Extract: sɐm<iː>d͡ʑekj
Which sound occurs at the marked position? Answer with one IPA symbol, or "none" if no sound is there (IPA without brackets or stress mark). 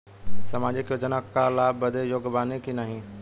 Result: aː